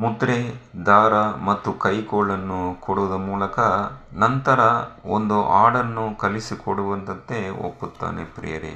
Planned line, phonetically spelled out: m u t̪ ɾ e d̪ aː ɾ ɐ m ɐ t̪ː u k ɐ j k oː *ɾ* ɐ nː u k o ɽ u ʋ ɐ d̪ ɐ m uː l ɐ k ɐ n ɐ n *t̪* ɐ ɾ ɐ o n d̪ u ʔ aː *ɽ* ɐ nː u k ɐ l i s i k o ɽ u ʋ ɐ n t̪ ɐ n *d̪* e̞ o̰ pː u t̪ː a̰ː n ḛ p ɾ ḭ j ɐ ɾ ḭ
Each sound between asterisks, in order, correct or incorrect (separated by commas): incorrect, correct, correct, incorrect